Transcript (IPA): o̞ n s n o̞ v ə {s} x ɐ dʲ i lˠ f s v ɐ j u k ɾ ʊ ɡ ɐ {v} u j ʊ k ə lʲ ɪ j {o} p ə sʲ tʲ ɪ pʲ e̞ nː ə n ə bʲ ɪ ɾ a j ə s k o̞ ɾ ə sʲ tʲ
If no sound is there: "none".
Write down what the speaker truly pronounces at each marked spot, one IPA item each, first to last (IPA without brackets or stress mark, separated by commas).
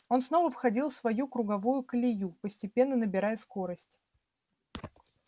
f, v, u